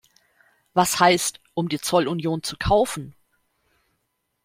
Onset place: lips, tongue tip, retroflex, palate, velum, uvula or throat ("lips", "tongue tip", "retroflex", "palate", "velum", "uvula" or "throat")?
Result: lips